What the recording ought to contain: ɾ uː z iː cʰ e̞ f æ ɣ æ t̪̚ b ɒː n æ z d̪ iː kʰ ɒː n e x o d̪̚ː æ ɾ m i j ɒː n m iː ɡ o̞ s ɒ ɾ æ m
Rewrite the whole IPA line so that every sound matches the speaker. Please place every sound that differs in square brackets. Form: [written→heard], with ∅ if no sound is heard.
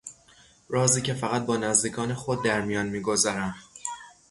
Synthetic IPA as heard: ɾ [uː→ɒː] z iː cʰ e̞ f æ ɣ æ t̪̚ b ɒː n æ z d̪ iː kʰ ɒː n e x o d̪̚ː æ ɾ m i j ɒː n m iː ɡ o̞ [s→z] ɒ ɾ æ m

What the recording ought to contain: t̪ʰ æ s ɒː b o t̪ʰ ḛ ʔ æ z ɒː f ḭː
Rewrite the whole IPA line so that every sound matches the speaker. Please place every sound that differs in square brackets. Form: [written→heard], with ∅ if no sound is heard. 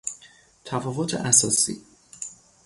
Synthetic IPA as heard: t̪ʰ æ [s→f] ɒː [b→v] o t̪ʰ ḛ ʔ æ [z→s] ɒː [f→s] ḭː

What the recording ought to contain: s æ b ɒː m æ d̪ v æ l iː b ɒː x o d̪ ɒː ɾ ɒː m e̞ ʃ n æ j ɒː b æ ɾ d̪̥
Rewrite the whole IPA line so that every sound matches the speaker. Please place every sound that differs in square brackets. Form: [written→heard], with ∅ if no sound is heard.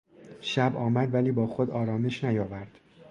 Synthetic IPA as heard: [s→ʃ] æ b ɒː m æ d̪ v æ l iː b ɒː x o d̪ ɒː ɾ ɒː m e̞ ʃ n æ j ɒː [b→v] æ ɾ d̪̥

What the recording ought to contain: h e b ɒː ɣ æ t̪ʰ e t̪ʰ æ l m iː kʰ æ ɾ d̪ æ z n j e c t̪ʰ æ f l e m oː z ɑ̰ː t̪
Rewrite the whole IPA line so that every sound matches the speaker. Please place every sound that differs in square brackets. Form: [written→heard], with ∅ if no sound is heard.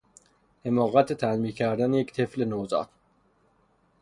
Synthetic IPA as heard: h e [b→m] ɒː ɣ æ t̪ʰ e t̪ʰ æ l m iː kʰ æ ɾ d̪ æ [z→∅] n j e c t̪ʰ [æ→e] f l e [m→n] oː z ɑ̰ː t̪

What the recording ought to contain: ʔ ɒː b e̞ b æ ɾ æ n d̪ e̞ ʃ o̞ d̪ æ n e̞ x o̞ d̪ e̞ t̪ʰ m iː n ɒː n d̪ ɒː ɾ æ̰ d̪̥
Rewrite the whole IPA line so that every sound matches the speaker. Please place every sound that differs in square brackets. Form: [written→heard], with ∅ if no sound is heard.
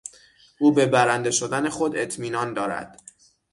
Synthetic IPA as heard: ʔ [ɒː→uː] b e̞ b æ ɾ æ n d̪ e̞ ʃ o̞ d̪ æ n e̞ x o̞ d̪ e̞ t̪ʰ m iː n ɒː n d̪ ɒː ɾ æ̰ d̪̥

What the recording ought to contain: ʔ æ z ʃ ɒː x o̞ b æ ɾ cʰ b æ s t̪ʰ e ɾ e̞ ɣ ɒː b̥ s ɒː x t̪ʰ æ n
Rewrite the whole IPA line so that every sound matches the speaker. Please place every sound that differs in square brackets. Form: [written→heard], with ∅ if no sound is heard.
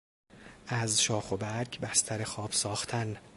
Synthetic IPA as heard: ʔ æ z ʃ ɒː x o̞ b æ ɾ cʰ b æ s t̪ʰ [e→æ] ɾ e̞ [ɣ→x] ɒː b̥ s ɒː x t̪ʰ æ n

